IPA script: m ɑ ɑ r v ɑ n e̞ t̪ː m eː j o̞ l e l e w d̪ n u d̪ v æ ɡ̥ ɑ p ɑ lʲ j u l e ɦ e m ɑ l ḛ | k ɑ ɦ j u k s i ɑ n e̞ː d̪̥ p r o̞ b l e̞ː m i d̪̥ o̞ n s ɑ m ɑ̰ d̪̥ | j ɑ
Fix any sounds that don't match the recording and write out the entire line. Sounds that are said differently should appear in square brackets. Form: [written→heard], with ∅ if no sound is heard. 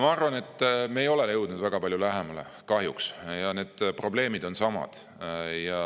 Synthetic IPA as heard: m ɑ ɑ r v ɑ n e̞ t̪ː m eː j o̞ l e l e w d̪ n u d̪ v æ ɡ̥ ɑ p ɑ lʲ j u l [e→æ] ɦ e m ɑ l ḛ | k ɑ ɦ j u k s [i→j] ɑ n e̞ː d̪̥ p r o̞ b l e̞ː m i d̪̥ o̞ n s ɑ m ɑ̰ d̪̥ | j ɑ